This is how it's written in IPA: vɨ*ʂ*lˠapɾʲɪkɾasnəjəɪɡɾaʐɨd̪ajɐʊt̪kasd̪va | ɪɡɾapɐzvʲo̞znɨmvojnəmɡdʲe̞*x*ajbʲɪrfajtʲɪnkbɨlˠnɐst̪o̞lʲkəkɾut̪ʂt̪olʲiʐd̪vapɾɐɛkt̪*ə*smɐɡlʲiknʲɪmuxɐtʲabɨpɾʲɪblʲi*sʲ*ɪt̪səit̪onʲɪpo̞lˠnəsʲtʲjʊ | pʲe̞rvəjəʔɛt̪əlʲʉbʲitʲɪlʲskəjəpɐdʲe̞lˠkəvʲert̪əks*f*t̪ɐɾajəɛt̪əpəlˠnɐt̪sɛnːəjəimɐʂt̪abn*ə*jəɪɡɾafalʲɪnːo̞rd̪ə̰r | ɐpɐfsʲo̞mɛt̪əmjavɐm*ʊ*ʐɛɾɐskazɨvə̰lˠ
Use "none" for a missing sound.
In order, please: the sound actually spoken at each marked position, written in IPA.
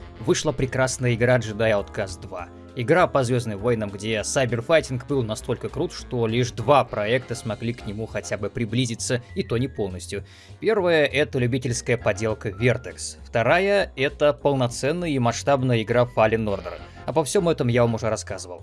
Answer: ʂ, s, ə, zʲ, f, ə, ʊ

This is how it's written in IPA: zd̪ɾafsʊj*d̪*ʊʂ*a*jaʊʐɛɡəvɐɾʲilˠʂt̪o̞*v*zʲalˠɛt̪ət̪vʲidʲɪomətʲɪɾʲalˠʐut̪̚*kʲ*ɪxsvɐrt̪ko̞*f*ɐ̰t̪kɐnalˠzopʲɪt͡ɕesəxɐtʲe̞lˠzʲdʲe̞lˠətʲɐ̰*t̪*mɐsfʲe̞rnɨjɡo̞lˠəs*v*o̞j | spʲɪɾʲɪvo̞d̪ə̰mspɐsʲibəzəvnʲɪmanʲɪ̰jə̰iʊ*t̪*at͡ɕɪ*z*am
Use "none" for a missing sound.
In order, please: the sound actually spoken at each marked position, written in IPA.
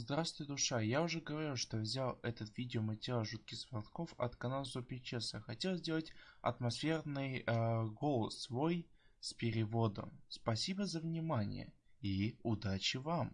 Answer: d̪, a, v, kʲ, f, t̪, v, d̪, v

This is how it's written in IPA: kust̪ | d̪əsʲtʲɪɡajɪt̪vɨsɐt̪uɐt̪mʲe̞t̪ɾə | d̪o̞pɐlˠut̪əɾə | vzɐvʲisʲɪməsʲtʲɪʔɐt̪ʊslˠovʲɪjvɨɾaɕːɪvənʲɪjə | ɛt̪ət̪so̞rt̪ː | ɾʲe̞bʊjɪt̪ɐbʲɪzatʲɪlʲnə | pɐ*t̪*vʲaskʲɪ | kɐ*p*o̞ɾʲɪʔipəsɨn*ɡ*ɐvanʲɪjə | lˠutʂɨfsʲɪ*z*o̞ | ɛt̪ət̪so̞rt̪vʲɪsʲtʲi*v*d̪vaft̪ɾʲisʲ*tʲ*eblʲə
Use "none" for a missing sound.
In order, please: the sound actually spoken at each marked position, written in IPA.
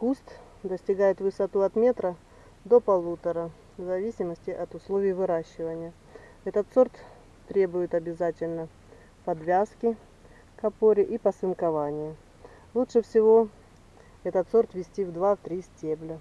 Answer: d̪, p, k, v, v, tʲ

